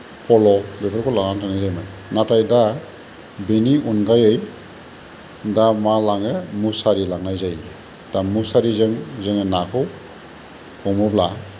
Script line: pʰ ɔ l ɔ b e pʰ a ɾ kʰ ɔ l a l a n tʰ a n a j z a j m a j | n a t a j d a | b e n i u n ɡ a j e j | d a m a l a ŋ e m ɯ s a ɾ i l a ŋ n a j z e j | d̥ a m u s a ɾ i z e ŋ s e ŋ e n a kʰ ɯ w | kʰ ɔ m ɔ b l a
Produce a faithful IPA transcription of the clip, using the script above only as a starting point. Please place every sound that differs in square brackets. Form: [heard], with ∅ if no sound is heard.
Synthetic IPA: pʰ ɔ l ɔ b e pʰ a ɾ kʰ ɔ l a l a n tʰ a n a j z a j m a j | n a t a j d a | b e n i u n ɡ a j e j | d a m a l a ŋ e m [u] s a ɾ i l a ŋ n a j z [a] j | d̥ a m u s a ɾ i z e ŋ [z] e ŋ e n a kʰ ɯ w | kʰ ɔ m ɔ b l a